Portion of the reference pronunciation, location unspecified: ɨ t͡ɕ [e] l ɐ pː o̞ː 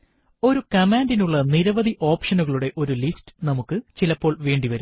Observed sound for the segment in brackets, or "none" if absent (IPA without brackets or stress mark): i